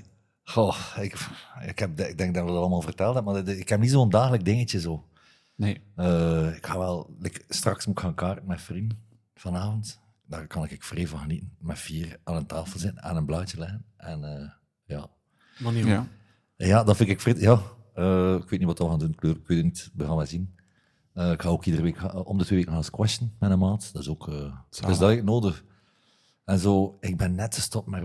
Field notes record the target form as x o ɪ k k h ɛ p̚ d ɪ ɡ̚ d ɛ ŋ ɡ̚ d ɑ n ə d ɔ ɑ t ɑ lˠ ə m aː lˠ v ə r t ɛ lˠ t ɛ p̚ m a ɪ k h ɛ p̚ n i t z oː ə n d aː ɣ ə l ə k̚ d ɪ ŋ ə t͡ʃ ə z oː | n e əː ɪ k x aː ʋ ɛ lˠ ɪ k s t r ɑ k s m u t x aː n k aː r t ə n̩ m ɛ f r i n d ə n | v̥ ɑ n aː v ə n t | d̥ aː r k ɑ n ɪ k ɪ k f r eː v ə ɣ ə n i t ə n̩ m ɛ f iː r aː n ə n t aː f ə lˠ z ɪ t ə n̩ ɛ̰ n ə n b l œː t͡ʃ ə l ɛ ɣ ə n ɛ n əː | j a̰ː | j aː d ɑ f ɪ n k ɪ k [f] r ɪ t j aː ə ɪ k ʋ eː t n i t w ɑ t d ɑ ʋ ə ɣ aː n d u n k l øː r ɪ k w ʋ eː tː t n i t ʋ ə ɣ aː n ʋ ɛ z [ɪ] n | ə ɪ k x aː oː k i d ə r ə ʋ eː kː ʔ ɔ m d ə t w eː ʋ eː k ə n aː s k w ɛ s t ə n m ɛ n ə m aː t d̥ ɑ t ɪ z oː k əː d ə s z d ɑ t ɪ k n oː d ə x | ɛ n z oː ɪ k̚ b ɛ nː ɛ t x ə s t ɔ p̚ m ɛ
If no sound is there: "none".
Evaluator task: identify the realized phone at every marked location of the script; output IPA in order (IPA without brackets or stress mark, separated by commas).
f, i